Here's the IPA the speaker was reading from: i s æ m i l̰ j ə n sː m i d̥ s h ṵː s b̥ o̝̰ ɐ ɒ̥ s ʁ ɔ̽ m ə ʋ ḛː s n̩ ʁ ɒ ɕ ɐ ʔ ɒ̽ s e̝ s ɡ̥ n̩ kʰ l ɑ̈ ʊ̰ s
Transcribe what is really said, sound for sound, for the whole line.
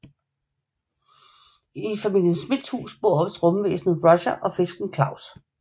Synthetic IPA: i f æ m i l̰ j ə n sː m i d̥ s h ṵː s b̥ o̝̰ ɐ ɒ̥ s ʁ ɔ̽ m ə ʋ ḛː s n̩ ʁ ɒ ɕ ɐ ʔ ɒ̽ f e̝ s ɡ̥ n̩ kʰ l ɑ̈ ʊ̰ s